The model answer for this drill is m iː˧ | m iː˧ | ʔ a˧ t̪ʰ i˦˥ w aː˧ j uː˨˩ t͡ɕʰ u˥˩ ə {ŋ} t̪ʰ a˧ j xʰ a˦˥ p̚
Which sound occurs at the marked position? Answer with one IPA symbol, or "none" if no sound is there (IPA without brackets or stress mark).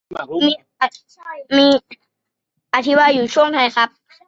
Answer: ŋ